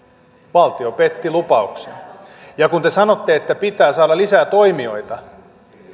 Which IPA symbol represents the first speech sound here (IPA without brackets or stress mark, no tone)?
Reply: ʋ